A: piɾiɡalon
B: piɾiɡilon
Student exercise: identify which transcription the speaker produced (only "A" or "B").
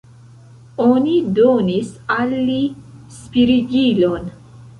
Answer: B